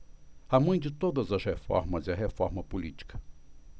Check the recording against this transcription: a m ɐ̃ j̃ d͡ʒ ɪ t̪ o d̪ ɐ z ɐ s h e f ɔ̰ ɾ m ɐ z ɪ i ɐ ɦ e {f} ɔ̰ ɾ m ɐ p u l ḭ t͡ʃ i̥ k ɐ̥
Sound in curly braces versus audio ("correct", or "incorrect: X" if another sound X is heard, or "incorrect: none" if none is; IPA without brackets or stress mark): correct